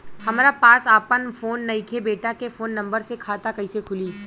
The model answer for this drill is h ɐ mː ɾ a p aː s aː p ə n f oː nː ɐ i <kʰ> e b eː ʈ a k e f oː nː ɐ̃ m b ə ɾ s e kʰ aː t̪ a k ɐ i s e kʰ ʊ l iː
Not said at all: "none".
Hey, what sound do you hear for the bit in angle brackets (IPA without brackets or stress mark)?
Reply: kʰ